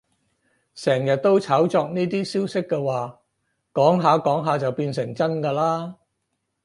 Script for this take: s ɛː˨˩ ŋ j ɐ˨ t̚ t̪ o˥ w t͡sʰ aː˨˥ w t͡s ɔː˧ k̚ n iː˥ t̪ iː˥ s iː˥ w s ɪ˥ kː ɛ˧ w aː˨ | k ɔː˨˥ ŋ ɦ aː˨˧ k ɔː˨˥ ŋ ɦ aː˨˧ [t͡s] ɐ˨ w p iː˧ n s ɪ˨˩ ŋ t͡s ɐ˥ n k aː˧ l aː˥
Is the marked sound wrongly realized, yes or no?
no